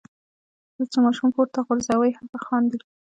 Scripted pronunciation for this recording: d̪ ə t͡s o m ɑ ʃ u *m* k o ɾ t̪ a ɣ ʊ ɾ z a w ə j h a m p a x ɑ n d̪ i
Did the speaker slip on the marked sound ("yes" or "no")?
no